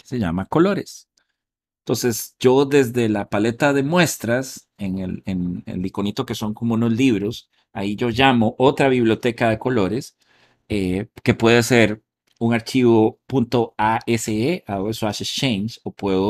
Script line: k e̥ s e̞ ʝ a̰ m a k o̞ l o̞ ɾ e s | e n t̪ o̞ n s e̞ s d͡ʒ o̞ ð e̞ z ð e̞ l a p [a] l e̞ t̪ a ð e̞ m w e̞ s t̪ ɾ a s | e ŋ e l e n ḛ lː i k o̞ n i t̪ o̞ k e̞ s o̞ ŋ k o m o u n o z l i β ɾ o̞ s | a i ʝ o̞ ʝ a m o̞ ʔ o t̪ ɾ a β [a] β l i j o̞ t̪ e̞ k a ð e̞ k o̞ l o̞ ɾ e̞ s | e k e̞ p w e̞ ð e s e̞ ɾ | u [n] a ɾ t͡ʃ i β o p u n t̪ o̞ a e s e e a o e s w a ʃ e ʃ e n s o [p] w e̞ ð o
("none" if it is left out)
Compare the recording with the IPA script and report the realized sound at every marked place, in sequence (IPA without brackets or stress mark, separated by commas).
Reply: a, i, ŋ, p